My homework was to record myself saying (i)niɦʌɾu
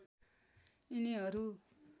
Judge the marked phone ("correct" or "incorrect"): correct